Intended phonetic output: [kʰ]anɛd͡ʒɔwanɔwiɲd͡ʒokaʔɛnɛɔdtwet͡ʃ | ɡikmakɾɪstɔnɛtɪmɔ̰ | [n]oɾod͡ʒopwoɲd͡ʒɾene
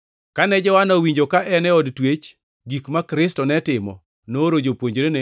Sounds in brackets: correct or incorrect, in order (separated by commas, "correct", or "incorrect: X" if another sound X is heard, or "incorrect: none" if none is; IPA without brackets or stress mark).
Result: incorrect: k, correct